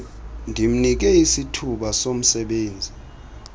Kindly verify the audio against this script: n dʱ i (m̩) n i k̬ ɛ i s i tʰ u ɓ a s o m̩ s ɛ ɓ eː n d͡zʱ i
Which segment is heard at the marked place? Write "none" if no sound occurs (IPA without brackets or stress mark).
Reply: m̩